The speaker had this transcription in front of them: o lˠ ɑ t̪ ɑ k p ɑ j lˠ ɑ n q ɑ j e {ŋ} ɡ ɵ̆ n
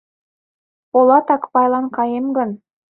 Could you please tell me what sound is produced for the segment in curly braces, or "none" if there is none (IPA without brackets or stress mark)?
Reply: m